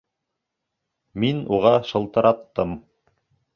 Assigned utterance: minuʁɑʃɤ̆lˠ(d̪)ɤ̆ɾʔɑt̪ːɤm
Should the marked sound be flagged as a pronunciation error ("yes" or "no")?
yes